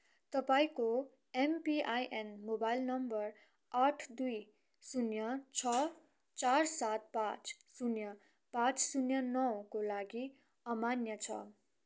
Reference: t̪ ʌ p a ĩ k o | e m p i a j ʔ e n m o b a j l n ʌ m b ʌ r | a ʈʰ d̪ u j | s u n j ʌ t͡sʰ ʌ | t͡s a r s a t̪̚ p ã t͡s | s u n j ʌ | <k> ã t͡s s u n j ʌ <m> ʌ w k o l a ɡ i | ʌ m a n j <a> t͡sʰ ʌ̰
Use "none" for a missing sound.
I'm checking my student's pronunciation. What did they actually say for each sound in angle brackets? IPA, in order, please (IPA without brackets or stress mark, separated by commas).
p, n, ʌ